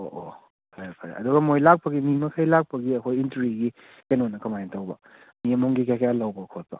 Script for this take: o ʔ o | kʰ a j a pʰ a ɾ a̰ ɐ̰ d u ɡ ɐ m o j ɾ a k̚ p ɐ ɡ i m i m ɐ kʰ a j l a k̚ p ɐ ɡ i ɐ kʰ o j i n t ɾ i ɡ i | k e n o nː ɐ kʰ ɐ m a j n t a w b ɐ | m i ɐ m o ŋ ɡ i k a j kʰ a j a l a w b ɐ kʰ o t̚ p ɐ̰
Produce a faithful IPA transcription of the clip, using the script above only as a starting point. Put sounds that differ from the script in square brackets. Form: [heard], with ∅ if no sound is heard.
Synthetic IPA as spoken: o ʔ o | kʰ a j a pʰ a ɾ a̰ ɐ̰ d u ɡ ɐ m o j [l] a k̚ p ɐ ɡ i m i m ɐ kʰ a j l a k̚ p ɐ ɡ i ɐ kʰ o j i n t ɾ i ɡ i | k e n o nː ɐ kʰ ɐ m a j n t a w b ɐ | m i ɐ m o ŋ ɡ i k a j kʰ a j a l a w b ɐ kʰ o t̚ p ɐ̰